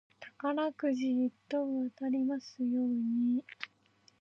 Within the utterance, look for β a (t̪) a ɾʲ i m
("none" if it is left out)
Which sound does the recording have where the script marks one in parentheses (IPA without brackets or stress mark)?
t̪